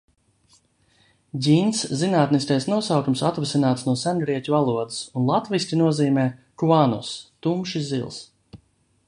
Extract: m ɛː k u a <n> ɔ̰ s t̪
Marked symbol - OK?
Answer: yes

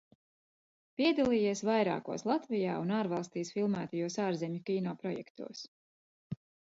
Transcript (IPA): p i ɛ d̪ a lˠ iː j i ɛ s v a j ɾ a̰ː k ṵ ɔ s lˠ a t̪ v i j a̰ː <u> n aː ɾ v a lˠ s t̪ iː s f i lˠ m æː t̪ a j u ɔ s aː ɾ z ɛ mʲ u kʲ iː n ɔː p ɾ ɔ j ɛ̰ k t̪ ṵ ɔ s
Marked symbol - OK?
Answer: yes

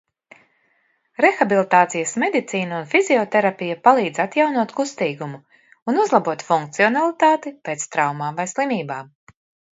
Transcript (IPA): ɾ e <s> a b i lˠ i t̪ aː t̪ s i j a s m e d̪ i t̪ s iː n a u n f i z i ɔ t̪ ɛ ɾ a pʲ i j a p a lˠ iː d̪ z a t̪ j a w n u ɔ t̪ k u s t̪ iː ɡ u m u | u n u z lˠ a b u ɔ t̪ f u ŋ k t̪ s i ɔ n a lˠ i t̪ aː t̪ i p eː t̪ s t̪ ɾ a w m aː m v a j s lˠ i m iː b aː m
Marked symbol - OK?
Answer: no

